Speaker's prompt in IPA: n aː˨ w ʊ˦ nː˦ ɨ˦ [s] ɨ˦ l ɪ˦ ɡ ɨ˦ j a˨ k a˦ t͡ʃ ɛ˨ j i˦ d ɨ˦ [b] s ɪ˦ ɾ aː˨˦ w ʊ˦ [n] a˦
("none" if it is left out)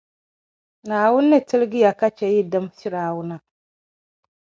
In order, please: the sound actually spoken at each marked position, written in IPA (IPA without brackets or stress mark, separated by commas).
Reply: t, m, n